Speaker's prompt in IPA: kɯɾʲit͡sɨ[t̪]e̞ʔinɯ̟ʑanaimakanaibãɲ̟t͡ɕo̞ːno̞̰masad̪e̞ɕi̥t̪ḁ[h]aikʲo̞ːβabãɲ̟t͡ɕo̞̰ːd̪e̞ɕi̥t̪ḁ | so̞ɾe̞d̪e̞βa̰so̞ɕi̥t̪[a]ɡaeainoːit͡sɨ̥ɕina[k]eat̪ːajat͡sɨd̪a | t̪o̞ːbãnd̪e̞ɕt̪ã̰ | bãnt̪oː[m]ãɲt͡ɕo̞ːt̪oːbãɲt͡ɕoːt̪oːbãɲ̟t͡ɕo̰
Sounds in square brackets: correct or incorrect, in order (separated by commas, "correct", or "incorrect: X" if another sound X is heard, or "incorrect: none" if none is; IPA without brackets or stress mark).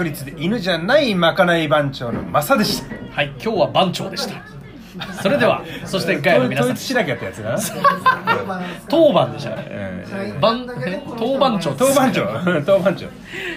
incorrect: d̪, correct, incorrect: e, correct, incorrect: b